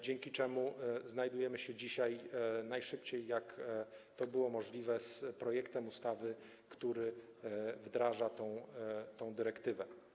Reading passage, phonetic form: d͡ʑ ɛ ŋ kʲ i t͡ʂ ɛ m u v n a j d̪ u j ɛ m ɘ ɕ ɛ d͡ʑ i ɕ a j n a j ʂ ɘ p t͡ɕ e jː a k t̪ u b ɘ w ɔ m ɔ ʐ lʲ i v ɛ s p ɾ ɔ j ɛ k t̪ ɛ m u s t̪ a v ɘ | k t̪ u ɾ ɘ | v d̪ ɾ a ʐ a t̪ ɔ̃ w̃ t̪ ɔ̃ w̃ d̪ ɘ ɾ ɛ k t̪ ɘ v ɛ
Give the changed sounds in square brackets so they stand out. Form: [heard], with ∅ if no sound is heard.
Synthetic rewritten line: d͡ʑ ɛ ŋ kʲ i t͡ʂ ɛ m u [z] n a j d̪ u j ɛ m ɘ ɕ ɛ d͡ʑ i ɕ a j n a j ʂ ɘ p t͡ɕ e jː a k t̪ [ɔ] b ɘ w ɔ m ɔ ʐ lʲ i v ɛ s p ɾ ɔ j ɛ k t̪ ɛ m u s t̪ a v ɘ | k t̪ u ɾ ɘ | v d̪ ɾ a ʐ a t̪ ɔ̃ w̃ t̪ ɔ̃ w̃ d̪ ɘ ɾ ɛ k t̪ ɘ v ɛ